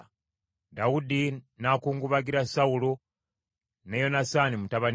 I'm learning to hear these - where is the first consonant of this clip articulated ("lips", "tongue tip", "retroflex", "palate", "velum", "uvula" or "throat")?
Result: tongue tip